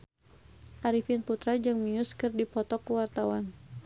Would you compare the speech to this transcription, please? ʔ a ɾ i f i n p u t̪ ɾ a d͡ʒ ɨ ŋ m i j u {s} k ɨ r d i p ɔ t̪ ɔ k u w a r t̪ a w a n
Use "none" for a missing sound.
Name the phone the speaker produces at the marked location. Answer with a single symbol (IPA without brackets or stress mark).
s